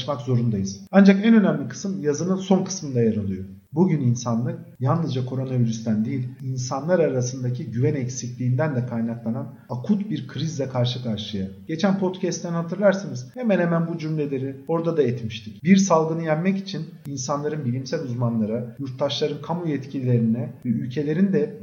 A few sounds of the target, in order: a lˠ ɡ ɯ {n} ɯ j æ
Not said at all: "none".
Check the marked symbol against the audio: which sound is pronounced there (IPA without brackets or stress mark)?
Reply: n